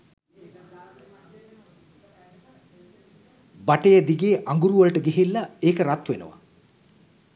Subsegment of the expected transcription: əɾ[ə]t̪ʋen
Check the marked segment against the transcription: incorrect: a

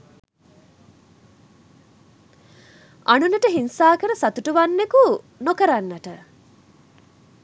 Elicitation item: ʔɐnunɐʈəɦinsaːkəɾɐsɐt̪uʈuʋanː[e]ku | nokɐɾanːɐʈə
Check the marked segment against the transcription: correct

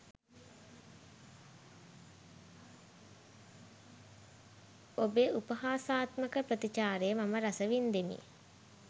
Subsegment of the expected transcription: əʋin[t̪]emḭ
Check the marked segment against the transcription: incorrect: d̪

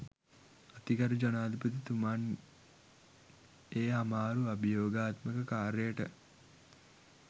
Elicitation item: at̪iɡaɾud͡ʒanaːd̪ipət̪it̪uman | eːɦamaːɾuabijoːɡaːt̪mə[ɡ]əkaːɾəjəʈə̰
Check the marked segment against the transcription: incorrect: k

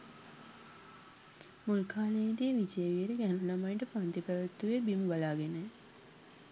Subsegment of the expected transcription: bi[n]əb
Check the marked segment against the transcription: incorrect: m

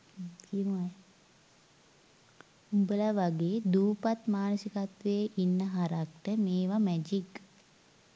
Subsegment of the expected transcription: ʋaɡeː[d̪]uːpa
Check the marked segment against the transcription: correct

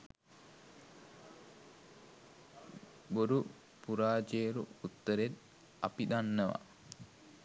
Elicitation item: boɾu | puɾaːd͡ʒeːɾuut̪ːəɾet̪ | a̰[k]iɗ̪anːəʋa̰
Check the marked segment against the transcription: incorrect: p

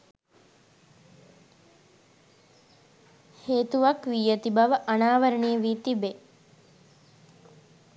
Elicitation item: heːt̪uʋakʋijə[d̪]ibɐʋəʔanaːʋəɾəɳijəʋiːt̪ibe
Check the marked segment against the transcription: incorrect: t̪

